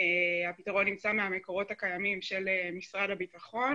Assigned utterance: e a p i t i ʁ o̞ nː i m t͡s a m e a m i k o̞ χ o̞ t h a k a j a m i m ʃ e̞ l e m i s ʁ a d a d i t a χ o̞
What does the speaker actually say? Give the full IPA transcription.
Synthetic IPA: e a p i t a ʁ o̞ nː i m t͡s a m e a m e k o̞ ʁ o̞ t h a k a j a m i m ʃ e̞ l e m i s ʁ a d a b i t a χ o̞